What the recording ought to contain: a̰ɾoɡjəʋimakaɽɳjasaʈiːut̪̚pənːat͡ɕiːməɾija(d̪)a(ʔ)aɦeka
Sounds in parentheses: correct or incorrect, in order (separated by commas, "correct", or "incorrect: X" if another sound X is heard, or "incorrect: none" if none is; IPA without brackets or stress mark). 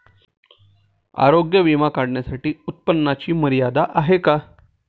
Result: correct, correct